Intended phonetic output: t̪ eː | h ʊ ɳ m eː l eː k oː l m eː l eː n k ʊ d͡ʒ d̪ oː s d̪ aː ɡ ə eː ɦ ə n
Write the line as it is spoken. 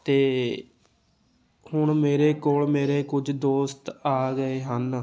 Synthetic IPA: t̪ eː | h ʊ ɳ m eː ɾ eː k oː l m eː ɾ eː k ʊ d͡ʒ d̪ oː s t̪ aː ɡ ə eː ɦ ə n